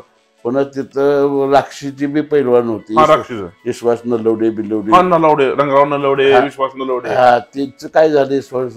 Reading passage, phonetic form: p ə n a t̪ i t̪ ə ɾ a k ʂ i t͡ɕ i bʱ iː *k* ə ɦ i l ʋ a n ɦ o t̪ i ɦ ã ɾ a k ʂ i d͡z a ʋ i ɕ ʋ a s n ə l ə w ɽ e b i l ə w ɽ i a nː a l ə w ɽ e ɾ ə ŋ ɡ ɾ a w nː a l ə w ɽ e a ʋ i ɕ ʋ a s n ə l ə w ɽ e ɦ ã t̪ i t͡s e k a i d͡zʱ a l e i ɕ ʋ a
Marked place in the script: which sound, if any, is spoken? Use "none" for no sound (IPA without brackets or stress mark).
p